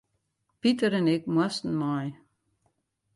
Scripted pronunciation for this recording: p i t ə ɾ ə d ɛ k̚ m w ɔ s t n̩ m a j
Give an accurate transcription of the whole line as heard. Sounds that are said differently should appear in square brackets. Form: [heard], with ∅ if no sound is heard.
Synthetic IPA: p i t ə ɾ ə [n] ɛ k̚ m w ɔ s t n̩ m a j